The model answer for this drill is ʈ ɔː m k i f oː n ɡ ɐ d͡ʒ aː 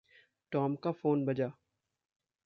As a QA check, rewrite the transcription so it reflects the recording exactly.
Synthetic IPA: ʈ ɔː m k a f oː n b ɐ d͡ʒ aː